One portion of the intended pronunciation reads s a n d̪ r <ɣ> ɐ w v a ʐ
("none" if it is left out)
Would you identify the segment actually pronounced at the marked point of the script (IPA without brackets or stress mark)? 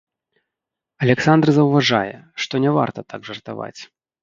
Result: z